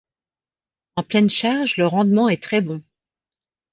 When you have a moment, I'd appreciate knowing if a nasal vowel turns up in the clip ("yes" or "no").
yes